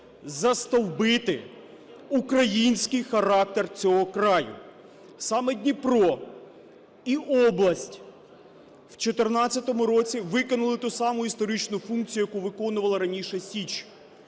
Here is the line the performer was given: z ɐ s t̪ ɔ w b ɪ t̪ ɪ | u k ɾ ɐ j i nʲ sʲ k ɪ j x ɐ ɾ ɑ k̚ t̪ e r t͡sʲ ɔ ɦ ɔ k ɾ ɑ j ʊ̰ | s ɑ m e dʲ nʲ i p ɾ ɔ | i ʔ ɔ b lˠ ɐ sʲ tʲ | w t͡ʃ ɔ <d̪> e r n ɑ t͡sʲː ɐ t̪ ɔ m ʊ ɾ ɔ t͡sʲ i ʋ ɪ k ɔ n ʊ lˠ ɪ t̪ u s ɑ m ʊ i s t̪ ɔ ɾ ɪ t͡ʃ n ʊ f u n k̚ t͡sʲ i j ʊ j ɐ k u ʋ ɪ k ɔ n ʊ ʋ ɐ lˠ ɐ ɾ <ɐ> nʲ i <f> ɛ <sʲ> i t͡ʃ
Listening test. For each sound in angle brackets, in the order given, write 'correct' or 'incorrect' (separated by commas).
incorrect, correct, incorrect, correct